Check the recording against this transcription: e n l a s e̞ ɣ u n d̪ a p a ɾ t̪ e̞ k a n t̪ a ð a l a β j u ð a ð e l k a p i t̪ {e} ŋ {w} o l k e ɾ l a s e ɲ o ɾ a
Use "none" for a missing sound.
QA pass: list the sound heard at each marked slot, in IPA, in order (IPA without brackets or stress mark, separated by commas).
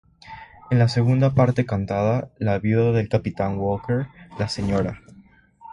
a, w